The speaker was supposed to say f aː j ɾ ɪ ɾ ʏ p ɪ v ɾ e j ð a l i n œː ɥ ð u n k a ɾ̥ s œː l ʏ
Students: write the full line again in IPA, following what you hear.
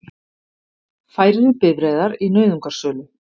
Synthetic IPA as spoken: f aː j ɾ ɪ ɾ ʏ p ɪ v ɾ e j ð a ɾ i n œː ɥ ð u ŋ k a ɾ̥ s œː l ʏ